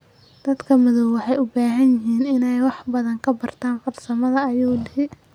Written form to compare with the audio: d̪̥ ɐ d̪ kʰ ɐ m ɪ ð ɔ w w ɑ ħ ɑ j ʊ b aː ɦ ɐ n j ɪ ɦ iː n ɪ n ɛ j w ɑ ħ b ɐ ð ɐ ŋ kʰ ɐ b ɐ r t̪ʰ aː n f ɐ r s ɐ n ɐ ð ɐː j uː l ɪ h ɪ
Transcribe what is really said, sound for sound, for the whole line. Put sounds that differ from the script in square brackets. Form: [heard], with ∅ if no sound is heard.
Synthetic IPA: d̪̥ ɐ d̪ kʰ ɐ m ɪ ð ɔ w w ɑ ħ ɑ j ʊ b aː ɦ ɐ n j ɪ ɦ iː n ɪ n ɛ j w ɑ ħ b ɐ ð ɐ ŋ kʰ ɐ b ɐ r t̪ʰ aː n f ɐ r s ɐ [m] ɐ ð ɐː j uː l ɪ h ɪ